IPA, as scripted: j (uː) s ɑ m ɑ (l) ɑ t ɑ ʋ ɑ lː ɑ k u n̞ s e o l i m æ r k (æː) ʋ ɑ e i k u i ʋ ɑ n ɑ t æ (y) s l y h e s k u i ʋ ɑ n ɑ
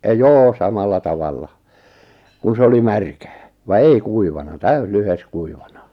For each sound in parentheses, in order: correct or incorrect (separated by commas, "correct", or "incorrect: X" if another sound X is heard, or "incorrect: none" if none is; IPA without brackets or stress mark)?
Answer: incorrect: oː, incorrect: lː, correct, correct